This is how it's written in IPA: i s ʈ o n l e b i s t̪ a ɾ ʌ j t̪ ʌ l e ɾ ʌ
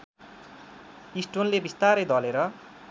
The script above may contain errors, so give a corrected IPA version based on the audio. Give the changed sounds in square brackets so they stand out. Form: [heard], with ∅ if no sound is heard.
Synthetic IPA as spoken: i s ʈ o n l e b i s t̪ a ɾ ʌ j [d̪] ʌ l e ɾ ʌ